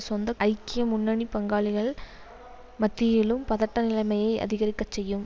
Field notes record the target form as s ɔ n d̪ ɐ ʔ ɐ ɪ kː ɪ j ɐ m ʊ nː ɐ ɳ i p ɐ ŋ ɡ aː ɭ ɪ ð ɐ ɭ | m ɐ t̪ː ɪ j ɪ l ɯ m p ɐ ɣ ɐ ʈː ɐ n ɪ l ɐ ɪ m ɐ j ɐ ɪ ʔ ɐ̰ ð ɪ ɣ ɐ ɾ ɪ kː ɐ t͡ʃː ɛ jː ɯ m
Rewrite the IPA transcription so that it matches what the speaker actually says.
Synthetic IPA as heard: s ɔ n d̪ ɐ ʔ ɐ ɪ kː ɪ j ɐ m ʊ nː ɐ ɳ i p ɐ ŋ ɡ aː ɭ ɪ ɣ ɐ ɭ | m ɐ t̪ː ɪ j ɪ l ɯ m p ɐ ð ɐ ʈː ɐ n ɪ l ɐ ɪ m ɐ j ɐ ɪ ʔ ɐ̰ ð ɪ ɣ ɐ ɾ ɪ kː ɐ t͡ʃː ɛ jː ɯ m